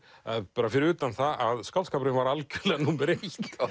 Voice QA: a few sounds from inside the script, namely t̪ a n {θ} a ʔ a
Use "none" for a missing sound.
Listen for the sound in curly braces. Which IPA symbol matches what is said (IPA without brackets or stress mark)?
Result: θ